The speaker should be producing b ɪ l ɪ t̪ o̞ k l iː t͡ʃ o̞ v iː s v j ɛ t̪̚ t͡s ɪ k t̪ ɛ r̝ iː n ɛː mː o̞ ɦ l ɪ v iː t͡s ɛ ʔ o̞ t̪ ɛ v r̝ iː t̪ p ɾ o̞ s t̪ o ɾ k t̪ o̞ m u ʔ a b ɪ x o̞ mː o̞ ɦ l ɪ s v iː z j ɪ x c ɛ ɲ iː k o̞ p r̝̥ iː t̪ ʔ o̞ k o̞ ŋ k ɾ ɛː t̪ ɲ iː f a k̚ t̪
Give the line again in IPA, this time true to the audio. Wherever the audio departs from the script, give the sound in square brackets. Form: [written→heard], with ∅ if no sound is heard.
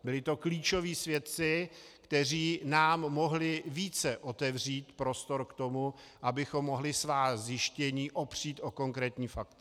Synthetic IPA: b ɪ l ɪ t̪ o̞ k l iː t͡ʃ o̞ v iː s v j ɛ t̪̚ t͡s ɪ k t̪ ɛ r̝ iː n [ɛː→aː] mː o̞ ɦ l ɪ v iː t͡s ɛ ʔ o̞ t̪ ɛ v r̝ iː t̪ p ɾ o̞ s t̪ o ɾ k t̪ o̞ m u ʔ a b ɪ x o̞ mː o̞ ɦ l ɪ s v [iː→aː] z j ɪ [x→ʃ] c ɛ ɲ iː [k→ʔ] o̞ p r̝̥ iː t̪ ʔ o̞ k o̞ ŋ k ɾ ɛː t̪ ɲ iː f a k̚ t̪